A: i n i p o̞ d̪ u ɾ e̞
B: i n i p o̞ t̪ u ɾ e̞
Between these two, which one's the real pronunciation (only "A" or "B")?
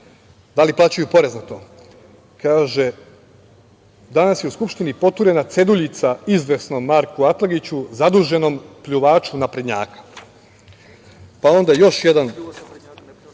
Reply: B